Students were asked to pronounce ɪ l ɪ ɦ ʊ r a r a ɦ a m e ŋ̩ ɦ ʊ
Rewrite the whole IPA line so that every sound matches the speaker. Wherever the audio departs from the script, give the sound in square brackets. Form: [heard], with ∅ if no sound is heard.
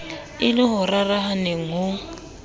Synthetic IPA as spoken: ɪ l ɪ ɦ ʊ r a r a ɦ a [n] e ŋ̩ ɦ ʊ